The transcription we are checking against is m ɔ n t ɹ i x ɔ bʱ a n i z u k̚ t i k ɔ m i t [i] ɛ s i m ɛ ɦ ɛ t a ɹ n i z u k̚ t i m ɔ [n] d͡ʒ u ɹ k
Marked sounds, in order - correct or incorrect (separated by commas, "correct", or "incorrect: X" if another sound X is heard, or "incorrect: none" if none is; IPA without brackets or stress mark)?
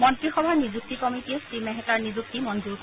correct, correct